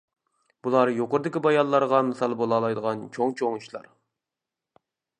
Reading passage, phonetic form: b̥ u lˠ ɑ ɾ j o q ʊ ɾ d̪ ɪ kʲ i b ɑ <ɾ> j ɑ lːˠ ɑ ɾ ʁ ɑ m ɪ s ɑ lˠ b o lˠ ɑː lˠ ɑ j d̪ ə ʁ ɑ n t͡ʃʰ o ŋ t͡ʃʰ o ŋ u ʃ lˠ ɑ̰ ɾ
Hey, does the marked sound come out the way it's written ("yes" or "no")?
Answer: no